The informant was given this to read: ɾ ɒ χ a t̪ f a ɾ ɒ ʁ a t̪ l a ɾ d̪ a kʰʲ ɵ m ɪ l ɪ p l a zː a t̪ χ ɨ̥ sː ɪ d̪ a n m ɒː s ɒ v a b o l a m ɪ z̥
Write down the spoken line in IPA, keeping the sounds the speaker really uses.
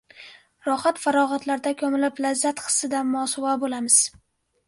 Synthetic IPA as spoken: ɾ ɒ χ a t̪ f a ɾ ɒ ʁ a t̪ l a ɾ d̪ a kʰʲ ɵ m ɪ l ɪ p l a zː a t̪ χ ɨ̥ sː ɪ d̪ a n m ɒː s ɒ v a b o l a m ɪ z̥